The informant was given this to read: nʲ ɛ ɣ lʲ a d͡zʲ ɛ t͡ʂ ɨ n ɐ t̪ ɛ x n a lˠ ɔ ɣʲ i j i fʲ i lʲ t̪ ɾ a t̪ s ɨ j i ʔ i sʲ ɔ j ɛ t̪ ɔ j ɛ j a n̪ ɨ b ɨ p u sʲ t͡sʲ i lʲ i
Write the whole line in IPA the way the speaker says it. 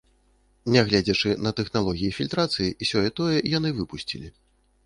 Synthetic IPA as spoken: nʲ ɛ ɣ lʲ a d͡zʲ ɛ t͡ʂ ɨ n ɐ t̪ ɛ x n a lˠ ɔ ɣʲ i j i fʲ i lʲ t̪ ɾ a t̪ s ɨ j i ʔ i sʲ ɔ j ɛ t̪ ɔ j ɛ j a n̪ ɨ v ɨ p u sʲ t͡sʲ i lʲ i